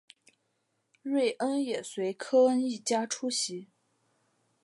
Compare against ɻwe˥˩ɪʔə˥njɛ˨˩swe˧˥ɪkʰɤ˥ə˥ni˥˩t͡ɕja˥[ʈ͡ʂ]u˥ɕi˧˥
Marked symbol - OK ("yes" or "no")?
no